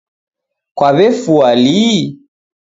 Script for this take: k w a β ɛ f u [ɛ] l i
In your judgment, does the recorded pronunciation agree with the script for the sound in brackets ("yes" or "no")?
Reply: no